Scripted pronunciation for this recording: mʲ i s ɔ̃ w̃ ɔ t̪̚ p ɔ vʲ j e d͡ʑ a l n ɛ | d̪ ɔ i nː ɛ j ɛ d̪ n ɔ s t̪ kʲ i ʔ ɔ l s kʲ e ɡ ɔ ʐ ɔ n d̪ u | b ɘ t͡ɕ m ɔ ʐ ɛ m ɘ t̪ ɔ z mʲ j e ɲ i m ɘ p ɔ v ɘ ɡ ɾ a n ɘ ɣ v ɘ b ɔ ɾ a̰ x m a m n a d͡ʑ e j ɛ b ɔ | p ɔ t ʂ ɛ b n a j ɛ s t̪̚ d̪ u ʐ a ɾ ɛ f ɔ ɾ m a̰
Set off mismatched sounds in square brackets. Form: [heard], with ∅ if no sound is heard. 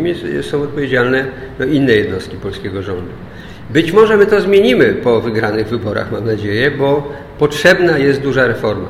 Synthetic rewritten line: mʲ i s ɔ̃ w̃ ɔ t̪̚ p ɔ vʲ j e d͡ʑ a l n ɛ | d̪ ɔ i nː ɛ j ɛ d̪ n ɔ s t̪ kʲ i [p] ɔ l s kʲ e ɡ ɔ ʐ ɔ n d̪ u | b ɘ t͡ɕ m ɔ ʐ ɛ m ɘ t̪ ɔ z mʲ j e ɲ i m ɘ p ɔ v ɘ ɡ ɾ a n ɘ ɣ v ɘ b ɔ ɾ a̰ x m a m n a d͡ʑ e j ɛ b ɔ | p ɔ t ʂ ɛ b n a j ɛ s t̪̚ d̪ u ʐ a ɾ ɛ f ɔ ɾ m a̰